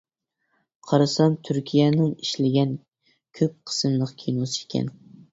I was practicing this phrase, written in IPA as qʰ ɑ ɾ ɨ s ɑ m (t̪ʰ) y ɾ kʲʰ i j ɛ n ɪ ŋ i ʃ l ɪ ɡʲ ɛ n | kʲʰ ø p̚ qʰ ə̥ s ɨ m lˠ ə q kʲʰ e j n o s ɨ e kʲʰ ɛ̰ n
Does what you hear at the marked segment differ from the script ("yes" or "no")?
no